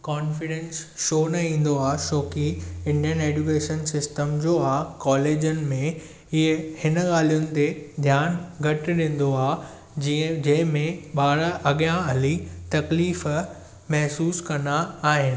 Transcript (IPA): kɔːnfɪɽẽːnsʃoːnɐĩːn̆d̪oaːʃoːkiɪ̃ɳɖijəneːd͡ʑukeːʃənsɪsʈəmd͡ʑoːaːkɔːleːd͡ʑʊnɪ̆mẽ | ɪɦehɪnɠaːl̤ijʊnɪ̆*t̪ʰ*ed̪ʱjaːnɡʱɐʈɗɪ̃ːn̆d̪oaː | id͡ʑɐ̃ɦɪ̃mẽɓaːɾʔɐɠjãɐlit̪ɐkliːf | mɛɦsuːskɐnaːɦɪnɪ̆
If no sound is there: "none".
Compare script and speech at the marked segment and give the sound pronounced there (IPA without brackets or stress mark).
t̪